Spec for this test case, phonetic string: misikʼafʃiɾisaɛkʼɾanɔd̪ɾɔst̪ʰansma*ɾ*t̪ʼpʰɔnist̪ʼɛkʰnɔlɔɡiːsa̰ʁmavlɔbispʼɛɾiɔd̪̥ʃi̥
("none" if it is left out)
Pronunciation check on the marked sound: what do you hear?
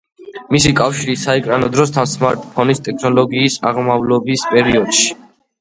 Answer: ɾ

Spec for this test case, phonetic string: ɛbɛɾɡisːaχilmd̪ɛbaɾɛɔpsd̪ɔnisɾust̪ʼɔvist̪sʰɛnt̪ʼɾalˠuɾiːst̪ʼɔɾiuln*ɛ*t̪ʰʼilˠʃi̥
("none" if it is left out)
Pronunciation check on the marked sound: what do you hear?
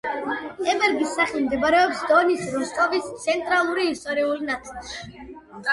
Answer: a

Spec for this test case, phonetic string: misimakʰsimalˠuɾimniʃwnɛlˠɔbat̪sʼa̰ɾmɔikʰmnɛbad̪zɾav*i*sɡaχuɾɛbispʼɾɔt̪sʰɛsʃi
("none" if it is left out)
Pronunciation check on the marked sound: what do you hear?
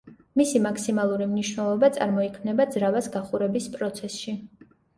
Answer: a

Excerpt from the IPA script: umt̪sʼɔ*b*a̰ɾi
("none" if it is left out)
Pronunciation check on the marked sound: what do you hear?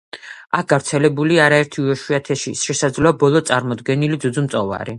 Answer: v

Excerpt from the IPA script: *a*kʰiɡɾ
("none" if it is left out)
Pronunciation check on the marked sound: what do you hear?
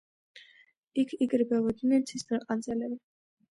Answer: i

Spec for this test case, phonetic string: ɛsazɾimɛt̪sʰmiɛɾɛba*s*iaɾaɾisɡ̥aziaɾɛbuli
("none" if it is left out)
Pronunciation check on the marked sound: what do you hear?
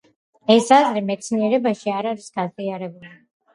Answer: ʃ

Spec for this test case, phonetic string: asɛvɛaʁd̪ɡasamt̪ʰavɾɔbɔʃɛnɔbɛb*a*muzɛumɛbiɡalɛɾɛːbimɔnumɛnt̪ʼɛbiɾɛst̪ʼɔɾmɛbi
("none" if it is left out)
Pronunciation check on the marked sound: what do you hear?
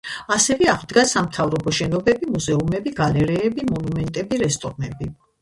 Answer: i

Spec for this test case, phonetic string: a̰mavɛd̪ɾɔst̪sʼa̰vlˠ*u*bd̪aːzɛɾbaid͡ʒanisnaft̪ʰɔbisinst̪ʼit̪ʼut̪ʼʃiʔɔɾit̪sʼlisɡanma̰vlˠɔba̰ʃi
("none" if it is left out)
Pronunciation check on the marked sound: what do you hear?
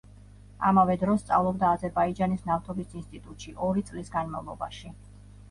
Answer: ɔ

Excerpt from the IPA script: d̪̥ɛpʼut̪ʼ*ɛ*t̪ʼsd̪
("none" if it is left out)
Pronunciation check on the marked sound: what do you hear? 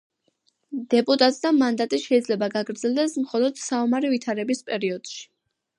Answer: a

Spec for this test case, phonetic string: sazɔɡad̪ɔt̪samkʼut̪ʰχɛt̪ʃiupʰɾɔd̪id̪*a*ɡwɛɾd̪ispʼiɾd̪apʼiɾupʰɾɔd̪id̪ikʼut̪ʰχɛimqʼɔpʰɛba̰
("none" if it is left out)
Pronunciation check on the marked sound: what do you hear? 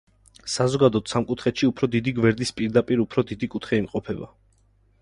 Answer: i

